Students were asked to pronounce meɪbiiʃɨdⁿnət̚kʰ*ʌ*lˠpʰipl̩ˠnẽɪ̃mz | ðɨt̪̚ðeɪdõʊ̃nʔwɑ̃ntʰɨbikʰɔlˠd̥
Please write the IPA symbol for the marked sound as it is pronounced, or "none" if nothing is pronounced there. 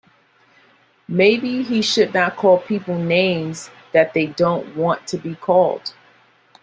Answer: ɔ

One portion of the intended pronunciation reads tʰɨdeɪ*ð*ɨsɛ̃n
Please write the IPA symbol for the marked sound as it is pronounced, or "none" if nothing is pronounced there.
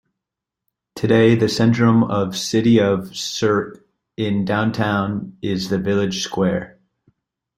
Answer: ð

